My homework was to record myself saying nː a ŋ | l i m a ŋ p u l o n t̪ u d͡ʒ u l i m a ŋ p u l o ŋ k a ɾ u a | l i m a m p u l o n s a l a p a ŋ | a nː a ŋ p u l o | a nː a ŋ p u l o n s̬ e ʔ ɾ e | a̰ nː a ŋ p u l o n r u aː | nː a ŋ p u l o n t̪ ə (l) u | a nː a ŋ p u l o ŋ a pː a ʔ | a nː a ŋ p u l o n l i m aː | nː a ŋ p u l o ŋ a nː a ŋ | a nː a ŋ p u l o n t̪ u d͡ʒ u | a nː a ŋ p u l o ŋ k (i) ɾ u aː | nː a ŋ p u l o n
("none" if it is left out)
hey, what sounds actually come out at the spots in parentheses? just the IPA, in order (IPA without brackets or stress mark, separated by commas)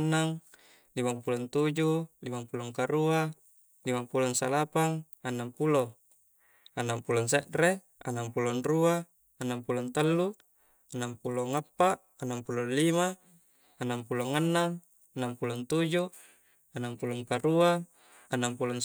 lː, a